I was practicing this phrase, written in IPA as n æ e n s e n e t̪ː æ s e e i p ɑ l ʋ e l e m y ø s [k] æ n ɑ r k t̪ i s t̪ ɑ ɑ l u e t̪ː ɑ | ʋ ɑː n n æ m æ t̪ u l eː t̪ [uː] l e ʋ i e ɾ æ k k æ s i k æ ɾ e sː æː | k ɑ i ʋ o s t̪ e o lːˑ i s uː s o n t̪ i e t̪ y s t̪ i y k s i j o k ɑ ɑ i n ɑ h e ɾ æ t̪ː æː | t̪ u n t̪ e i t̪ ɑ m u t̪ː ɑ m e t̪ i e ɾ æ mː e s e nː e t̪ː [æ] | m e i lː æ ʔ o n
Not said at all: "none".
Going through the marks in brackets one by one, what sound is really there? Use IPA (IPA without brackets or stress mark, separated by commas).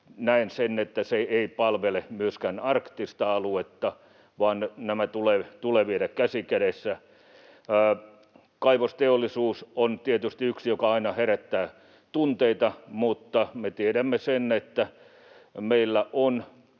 k, u, æ